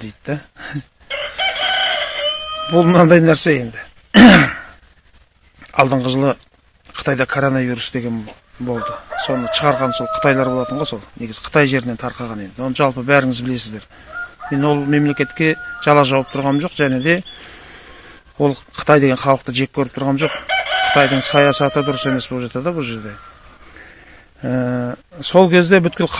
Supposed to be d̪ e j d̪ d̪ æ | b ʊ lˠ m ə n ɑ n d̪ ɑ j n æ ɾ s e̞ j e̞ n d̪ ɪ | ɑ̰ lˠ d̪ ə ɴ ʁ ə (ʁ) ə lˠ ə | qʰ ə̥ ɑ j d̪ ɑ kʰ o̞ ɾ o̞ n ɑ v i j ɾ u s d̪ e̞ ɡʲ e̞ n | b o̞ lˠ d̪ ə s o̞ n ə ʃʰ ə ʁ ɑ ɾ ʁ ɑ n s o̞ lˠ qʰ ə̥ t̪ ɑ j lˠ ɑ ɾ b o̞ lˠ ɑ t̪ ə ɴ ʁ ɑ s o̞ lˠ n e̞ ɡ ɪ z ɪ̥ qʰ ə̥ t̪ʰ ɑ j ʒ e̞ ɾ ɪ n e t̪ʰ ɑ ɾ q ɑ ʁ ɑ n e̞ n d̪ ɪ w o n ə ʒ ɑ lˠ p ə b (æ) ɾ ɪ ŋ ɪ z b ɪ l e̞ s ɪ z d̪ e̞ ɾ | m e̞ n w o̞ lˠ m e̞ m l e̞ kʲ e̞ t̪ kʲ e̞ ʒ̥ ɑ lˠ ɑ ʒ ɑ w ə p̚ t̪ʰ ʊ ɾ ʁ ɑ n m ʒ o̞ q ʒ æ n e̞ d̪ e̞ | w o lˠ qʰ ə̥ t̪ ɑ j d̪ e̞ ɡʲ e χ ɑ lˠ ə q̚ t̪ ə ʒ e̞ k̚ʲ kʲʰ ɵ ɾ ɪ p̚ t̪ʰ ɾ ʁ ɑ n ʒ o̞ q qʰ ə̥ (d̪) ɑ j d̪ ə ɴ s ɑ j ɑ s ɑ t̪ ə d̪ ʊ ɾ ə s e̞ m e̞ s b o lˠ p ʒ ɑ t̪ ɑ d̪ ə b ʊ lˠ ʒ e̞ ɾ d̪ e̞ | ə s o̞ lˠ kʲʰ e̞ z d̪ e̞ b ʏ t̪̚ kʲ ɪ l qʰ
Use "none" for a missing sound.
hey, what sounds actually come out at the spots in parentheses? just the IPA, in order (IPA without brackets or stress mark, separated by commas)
ʒ, æ, t̪